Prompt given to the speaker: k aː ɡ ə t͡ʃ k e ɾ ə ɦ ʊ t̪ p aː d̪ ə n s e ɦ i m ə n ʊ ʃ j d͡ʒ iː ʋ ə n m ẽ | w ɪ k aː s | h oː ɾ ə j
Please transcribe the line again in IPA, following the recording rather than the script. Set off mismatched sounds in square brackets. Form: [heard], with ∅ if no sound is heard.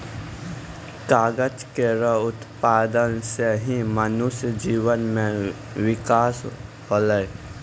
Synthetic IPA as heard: k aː ɡ ə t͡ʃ k e ɾ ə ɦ ʊ t̪ p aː d̪ ə n s e ɦ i m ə n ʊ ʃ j d͡ʒ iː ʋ ə n m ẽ | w ɪ k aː s | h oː [l] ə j